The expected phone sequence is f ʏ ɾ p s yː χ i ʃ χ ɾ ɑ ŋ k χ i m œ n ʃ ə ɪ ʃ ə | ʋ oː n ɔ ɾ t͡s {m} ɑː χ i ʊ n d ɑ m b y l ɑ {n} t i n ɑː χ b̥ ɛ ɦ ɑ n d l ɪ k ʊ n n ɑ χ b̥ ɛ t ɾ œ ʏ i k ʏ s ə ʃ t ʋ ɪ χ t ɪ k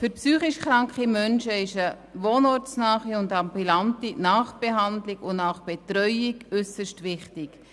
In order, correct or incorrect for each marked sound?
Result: incorrect: n, correct

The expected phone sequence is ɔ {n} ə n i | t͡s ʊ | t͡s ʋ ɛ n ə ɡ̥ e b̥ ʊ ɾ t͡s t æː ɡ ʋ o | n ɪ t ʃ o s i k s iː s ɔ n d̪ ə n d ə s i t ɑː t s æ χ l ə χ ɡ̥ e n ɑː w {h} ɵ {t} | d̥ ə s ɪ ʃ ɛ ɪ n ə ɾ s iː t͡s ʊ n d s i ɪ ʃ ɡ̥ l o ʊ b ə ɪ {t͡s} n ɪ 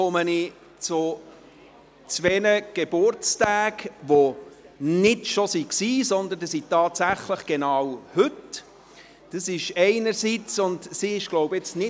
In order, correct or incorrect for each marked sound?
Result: incorrect: m, correct, correct, correct

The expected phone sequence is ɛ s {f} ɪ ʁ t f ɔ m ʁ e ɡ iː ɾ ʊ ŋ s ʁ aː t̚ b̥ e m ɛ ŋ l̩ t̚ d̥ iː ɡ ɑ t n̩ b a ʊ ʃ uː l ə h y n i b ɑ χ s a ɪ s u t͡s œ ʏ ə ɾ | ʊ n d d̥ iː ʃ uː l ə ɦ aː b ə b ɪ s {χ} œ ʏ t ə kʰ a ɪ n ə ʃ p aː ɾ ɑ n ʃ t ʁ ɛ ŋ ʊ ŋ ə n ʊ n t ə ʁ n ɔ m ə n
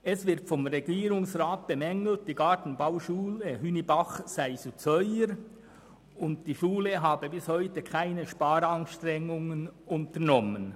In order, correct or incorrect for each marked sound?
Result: incorrect: v, incorrect: h

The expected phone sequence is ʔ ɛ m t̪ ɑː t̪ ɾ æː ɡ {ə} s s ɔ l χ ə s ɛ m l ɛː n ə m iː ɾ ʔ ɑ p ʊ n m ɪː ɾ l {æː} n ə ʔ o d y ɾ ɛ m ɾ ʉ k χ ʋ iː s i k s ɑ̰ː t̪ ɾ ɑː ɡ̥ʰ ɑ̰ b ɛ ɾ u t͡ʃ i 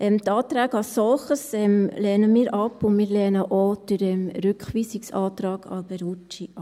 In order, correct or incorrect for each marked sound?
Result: incorrect: ɑ, incorrect: ɛː

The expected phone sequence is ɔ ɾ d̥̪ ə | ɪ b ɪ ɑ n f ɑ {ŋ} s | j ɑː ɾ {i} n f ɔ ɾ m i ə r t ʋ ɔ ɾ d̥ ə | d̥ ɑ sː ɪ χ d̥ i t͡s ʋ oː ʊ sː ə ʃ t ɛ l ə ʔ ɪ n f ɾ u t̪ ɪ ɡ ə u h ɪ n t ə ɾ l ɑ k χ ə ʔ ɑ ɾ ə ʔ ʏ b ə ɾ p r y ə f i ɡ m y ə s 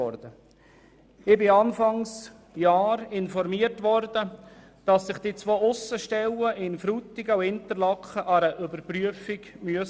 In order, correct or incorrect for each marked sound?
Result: correct, incorrect: ɪ

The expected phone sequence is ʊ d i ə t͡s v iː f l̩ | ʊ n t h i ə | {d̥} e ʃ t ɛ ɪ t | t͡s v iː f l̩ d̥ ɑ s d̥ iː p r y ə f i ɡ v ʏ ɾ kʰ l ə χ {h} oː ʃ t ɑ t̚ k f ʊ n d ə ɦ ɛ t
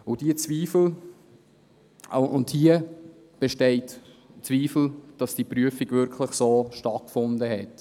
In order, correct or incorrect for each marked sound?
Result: incorrect: b̥, incorrect: s

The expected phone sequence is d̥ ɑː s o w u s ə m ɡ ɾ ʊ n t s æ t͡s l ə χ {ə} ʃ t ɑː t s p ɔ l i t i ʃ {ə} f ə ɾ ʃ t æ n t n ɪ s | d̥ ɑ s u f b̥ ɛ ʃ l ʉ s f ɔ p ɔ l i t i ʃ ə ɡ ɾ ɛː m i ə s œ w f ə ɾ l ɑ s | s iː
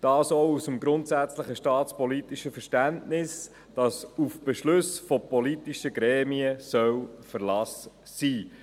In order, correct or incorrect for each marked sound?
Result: correct, correct

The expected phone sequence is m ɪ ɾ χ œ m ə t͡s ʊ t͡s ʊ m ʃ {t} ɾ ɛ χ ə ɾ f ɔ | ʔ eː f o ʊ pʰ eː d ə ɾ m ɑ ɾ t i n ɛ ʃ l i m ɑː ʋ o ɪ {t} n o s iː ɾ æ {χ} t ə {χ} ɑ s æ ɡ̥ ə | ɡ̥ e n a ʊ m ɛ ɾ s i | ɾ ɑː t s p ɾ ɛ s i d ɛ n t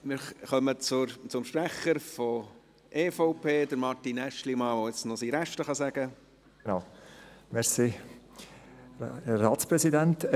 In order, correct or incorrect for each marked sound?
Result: incorrect: p, incorrect: t͡s, incorrect: ʃ, correct

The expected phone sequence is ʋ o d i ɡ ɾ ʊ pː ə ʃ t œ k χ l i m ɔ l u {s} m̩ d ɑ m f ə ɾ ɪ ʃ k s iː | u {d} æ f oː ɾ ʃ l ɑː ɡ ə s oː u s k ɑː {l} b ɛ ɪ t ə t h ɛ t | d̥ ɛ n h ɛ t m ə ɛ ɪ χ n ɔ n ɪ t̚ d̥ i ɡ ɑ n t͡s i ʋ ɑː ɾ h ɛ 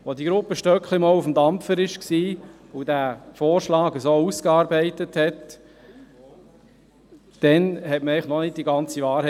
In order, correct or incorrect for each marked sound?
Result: incorrect: f, correct, incorrect: ɾ

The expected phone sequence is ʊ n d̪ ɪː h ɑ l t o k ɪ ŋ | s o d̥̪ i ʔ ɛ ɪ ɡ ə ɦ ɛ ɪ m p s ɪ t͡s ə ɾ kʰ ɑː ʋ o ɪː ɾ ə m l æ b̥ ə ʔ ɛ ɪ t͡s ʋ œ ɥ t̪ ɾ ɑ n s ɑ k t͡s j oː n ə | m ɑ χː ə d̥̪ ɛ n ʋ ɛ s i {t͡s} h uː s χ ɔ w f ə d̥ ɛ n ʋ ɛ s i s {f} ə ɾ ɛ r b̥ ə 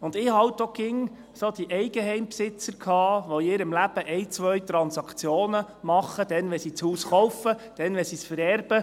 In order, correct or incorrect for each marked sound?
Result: correct, correct

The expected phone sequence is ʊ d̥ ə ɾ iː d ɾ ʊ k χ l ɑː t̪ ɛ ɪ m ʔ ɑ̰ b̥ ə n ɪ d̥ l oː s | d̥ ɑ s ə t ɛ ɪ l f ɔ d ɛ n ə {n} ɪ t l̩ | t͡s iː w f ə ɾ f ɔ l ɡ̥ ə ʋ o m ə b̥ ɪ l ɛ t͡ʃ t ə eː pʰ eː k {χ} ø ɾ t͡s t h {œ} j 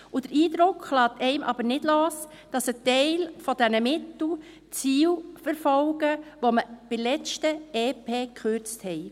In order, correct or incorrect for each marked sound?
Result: incorrect: m, correct, incorrect: ɛ

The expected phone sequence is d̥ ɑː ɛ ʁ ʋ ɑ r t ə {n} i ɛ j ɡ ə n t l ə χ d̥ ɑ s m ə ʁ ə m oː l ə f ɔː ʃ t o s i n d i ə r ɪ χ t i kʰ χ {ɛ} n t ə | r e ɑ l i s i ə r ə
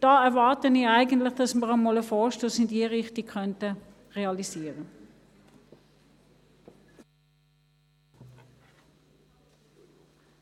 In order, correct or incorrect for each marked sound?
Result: correct, incorrect: œ

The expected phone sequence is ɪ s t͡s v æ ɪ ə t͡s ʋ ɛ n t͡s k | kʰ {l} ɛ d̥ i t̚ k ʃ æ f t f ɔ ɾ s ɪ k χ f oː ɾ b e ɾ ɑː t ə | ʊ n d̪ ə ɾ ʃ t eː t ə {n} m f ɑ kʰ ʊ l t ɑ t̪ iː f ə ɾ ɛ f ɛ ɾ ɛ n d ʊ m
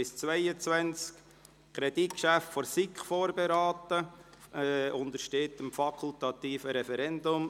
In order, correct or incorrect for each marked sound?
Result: incorrect: ɾ, incorrect: none

